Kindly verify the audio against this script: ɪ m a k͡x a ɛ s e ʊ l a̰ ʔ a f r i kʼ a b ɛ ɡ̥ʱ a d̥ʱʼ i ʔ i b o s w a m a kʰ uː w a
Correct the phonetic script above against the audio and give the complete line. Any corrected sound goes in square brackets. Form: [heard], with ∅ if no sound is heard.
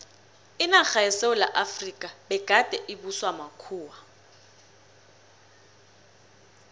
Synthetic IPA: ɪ [n] a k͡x a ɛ s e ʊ l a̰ ʔ a f r i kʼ a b ɛ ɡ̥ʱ a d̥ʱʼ [ɛ] ʔ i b [u] s w a m a kʰ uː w a